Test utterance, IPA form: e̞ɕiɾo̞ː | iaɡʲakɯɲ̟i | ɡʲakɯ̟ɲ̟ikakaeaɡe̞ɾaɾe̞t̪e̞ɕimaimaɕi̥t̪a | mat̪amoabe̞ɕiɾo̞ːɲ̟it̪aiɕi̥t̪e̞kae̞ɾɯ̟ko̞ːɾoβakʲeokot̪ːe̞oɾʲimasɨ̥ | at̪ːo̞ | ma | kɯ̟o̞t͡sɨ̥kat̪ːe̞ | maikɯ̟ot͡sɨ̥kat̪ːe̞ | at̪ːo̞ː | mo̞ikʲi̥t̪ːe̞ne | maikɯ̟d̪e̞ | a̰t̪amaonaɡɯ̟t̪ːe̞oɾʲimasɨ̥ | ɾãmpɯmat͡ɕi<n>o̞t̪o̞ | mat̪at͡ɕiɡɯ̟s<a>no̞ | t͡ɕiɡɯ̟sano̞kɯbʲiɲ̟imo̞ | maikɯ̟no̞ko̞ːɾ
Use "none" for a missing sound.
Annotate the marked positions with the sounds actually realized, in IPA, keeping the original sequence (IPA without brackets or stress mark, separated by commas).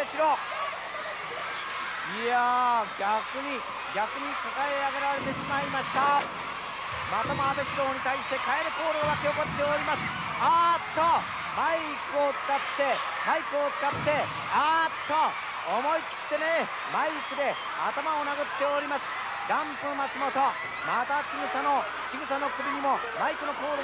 m, a